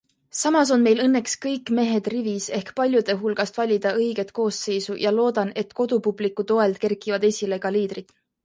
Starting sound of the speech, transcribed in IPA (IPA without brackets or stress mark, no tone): s